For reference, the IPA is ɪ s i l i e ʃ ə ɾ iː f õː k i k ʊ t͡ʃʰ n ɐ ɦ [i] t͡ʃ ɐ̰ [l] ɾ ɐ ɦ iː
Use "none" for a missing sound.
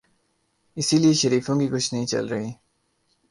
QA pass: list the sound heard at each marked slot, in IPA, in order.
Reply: ĩ, l

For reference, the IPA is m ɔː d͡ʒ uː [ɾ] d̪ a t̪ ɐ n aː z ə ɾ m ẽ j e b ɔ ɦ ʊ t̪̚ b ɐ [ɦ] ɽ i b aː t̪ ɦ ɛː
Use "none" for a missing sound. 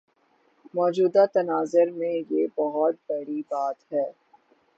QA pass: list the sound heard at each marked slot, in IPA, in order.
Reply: none, ɦ

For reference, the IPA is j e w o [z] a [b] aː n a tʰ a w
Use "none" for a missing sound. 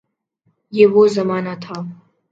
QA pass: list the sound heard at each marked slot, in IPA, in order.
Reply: z, m

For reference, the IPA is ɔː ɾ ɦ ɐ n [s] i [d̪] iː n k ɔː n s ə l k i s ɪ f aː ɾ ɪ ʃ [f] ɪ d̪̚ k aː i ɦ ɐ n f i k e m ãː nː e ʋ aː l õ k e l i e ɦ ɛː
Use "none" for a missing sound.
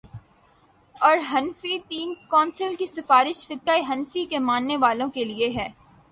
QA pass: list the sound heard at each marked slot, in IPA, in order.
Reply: f, t̪, f

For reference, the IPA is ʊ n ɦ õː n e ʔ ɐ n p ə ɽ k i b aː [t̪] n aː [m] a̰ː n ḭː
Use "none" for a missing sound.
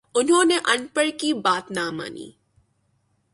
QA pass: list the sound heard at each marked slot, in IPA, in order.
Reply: t̪, m

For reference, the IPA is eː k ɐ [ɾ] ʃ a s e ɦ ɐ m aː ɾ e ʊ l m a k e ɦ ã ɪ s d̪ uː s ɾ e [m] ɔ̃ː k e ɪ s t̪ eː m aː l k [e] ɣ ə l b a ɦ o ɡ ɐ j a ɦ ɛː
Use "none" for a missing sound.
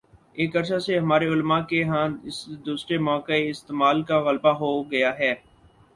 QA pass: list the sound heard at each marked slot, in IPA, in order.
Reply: ɾ, m, a

